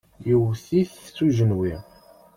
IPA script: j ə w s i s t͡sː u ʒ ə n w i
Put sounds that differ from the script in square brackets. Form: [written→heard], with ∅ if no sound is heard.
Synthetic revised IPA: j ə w [s→θ] i [s→θ] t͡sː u ʒ ə n w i

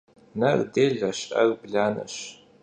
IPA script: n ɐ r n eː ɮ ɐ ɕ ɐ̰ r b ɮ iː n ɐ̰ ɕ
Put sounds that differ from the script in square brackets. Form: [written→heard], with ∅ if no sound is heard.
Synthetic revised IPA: n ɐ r [n→d] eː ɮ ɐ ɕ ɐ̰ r b ɮ [iː→aː] n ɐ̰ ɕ

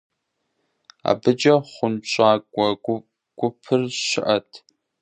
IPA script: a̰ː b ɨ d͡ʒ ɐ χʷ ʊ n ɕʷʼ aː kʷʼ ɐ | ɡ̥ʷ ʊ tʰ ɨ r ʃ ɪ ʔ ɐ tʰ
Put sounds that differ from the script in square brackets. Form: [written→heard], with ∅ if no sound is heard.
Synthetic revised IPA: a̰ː b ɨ d͡ʒ ɐ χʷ ʊ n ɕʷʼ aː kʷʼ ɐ | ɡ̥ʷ ʊ [tʰ→pʰ] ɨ r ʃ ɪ ʔ ɐ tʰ

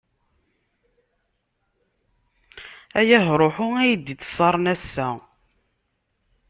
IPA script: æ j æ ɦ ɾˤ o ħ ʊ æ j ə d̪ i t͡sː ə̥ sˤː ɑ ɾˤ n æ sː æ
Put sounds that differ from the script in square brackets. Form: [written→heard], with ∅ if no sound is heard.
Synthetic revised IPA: æ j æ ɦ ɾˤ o ħ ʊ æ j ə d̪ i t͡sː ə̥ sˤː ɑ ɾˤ n æ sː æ

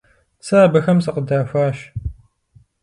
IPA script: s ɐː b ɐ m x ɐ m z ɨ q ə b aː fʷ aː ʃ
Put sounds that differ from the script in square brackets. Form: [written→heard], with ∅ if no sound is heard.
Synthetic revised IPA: s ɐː b ɐ [m→∅] x ɐ m [z→s] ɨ q ə [b→d] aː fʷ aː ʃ

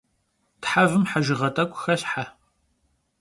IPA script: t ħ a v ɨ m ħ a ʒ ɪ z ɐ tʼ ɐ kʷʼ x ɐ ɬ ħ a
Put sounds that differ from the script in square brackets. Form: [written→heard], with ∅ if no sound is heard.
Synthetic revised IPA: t ħ a v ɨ m ħ a ʒ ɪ [z→ʁ] ɐ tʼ ɐ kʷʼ x ɐ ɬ ħ a

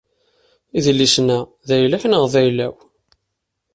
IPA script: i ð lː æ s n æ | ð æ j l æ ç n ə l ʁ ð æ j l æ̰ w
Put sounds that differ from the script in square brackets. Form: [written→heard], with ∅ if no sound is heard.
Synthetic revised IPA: i ð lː [æ→i] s n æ | ð æ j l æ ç n ə [l→∅] ʁ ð æ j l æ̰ w

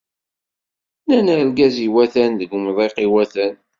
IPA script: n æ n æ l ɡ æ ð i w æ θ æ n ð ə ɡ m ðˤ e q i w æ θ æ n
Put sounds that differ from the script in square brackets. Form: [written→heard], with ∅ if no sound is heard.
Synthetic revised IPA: n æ n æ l ɡ æ [ð→z] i w æ θ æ n ð ə ɡ m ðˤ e q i w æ θ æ n

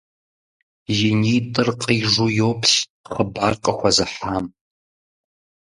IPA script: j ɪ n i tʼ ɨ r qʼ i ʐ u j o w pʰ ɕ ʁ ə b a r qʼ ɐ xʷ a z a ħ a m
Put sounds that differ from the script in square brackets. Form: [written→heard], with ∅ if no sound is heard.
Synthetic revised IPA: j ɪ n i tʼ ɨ r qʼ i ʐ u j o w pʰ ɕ [ʁ→χ] ə b a r qʼ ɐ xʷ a z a ħ a m

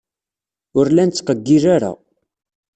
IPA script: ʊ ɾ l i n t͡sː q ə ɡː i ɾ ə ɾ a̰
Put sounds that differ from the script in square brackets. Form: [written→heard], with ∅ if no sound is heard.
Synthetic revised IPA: ʊ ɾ l [i→æ] n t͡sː q ə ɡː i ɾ [ə→a] ɾ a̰

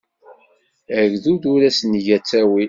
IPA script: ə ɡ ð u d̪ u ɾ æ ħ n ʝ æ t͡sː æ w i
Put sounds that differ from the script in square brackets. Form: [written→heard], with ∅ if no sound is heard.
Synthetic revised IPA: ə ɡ ð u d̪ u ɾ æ [ħ→s] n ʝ æ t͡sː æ w i

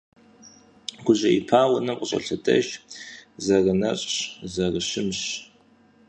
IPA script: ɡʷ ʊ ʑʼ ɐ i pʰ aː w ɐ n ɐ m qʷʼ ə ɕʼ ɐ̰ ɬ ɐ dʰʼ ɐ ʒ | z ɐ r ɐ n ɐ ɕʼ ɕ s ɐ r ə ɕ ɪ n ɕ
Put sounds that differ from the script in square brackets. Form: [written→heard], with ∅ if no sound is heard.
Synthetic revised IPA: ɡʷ ʊ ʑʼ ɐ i pʰ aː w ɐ n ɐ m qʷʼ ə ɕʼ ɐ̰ ɬ ɐ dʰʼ ɐ ʒ | z ɐ r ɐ n ɐ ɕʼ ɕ [s→z] ɐ r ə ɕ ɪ [n→m] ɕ

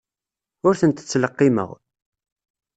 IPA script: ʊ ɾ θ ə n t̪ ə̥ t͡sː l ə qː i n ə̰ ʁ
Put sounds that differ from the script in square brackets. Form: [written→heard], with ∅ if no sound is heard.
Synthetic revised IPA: ʊ ɾ θ ə n t̪ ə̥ t͡sː l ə qː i [n→m] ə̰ ʁ

